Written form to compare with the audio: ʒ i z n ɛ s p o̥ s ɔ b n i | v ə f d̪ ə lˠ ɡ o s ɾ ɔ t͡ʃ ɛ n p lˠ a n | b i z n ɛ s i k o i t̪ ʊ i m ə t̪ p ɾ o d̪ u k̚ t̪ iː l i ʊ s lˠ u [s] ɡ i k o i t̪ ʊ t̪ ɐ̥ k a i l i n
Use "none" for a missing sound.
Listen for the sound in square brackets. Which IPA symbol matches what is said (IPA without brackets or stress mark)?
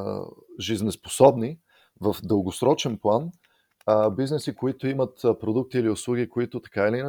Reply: none